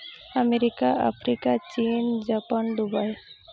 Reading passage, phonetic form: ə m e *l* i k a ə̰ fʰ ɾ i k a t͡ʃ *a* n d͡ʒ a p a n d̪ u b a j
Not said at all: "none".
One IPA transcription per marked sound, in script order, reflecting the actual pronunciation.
ɾ, i

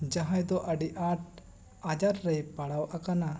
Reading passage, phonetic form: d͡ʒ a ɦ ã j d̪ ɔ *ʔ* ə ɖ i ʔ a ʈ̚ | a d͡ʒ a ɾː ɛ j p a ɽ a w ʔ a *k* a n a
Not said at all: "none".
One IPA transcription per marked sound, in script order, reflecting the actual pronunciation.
ʔ, k

